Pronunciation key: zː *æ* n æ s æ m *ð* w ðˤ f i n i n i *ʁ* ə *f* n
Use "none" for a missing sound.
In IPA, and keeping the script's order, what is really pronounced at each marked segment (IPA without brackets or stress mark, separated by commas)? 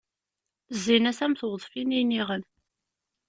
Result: i, θ, ʁ, none